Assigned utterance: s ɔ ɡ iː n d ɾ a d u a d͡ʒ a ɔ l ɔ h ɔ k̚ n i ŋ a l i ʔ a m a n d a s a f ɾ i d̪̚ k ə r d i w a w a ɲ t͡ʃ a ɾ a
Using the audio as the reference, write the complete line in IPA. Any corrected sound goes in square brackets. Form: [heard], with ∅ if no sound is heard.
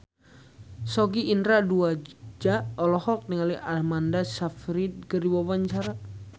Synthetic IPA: s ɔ ɡ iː n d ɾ a d u a d͡ʒ a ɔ l ɔ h ɔ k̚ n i ŋ a l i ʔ a m a n d a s a f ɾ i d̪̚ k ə r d i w a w a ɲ t͡ʃ a ɾ a